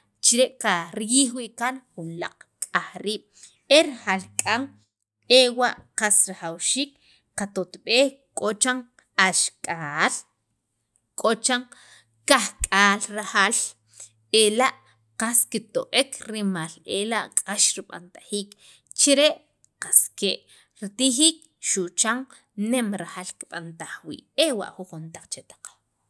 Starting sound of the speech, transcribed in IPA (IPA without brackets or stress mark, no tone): t͡ʃ